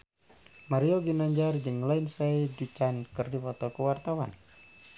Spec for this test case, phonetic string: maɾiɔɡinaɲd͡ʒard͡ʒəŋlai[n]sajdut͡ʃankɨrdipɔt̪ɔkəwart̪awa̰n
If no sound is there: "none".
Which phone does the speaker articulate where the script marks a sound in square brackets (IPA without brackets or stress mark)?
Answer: n